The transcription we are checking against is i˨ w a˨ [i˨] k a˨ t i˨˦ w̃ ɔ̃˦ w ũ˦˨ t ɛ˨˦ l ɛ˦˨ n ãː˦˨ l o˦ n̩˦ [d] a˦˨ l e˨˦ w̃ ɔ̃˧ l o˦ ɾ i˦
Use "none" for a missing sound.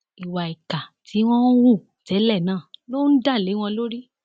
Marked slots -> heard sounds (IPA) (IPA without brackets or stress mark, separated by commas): i˨, d